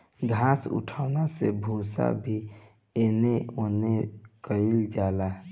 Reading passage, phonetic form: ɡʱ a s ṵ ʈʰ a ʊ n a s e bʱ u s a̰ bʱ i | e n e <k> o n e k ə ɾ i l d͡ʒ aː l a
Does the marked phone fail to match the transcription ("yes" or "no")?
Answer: yes